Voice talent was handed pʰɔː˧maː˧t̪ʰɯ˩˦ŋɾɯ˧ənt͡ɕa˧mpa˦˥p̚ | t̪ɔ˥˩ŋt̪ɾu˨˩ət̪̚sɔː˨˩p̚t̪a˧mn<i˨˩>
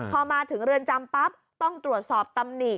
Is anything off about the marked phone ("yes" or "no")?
no